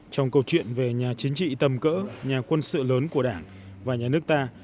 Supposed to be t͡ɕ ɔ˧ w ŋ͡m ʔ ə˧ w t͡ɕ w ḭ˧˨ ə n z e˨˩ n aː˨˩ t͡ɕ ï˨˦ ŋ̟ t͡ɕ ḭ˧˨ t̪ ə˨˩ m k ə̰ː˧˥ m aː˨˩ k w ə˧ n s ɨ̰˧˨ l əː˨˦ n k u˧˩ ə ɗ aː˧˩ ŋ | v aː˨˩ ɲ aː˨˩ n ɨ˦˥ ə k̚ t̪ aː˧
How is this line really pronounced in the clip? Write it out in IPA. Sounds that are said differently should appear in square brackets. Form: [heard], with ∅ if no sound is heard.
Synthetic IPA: t͡ɕ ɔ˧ w ŋ͡m [k] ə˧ w t͡ɕ w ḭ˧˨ ə n [v] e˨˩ [ɲ] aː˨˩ t͡ɕ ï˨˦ ŋ̟ t͡ɕ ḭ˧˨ t̪ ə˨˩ m k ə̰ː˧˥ [ɲ] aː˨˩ k w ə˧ n s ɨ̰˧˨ l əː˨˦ n k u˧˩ ə ɗ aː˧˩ ŋ | v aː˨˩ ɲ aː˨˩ n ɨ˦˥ ə k̚ t̪ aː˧